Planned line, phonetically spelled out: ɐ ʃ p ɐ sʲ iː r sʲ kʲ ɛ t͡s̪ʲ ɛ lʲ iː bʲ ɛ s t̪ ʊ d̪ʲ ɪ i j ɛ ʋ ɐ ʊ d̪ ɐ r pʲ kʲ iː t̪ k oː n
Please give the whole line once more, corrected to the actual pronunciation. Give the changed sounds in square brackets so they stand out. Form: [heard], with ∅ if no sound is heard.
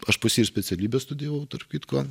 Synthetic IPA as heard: ɐ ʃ p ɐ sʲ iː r sʲ [pʲ] ɛ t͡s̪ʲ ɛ lʲ iː bʲ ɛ s t̪ ʊ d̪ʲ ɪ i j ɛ ʋ ɐ ʊ [t̪] ɐ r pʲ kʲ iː t̪ k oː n